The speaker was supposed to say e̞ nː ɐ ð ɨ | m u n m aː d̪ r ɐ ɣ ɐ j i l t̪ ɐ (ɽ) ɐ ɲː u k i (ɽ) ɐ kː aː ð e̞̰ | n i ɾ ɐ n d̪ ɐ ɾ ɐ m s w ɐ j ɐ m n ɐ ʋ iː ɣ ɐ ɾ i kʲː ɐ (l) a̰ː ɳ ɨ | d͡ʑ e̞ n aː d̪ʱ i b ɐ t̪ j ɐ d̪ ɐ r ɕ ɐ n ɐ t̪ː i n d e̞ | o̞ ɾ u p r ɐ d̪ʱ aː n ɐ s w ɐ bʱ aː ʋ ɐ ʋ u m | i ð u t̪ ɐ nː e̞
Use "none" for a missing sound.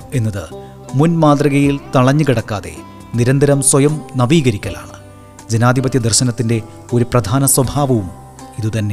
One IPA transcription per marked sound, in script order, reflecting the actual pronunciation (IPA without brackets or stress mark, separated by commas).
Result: ɭ, ɽ, l